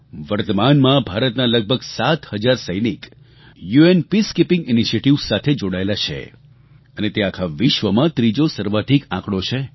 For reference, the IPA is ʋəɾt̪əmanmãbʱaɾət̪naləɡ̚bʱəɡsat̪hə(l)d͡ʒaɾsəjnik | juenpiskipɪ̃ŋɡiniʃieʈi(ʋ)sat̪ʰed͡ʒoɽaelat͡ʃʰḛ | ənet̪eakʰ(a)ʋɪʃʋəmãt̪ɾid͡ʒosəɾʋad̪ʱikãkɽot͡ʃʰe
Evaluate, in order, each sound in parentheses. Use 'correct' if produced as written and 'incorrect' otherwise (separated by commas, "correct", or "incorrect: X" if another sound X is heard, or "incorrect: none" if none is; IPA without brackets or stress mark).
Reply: incorrect: none, correct, correct